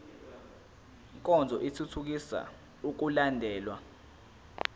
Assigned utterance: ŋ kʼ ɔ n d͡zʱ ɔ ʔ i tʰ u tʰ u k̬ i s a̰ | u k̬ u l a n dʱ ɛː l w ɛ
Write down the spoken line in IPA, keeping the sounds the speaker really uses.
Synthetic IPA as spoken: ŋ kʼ ɔ n d͡zʱ ɔ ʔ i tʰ u tʰ u k̬ i s a̰ | u k̬ u l a n dʱ ɛː l w a

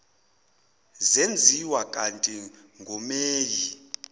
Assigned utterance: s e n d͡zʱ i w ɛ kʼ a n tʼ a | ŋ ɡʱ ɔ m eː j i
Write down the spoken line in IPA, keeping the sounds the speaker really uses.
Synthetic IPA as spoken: z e n d͡zʱ i w a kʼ a n tʼ i | ŋ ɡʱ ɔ m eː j i

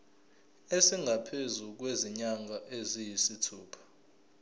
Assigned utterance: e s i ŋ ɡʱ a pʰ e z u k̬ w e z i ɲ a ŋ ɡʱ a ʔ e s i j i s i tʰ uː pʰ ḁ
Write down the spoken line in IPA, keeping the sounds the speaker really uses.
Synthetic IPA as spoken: e s i ŋ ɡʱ a pʰ e z u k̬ w e z i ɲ a ŋ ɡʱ a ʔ e z i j i s i tʰ uː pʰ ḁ

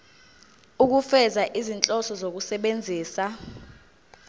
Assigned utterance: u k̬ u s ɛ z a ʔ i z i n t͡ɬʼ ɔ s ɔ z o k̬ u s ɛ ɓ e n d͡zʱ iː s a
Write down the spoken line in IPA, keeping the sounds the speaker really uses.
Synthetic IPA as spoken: u k̬ u f ɛ z a ʔ i z i n t͡ɬʼ ɔ s ɔ z o k̬ u s ɛ ɓ e n d͡zʱ iː s a

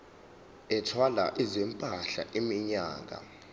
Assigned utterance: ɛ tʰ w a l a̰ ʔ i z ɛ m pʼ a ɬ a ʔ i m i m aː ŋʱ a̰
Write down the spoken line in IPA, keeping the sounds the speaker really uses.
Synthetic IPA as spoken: ɛ tʰ w a l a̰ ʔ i z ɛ m pʼ a ɬ a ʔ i m i ɲ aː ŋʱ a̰

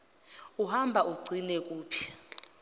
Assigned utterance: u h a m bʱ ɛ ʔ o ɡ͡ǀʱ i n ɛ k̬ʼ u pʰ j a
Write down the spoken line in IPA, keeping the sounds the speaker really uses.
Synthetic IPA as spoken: u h a m bʱ a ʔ u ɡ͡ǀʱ i n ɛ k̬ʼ uː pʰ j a

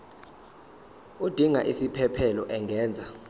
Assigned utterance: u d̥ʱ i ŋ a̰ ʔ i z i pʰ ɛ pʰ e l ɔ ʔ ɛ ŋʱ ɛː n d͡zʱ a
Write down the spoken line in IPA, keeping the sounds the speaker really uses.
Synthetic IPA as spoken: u d̥ʱ i ŋ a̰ ʔ i s i pʰ ɛ pʰ ɛ l ɔ ʔ ɛ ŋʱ ɛː n d͡zʱ a

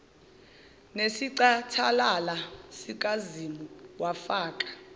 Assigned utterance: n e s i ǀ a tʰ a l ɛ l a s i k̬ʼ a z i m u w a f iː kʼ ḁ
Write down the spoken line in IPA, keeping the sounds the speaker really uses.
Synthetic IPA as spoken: n e s i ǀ a tʰ a l a l a s i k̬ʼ a z i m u w a f aː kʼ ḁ

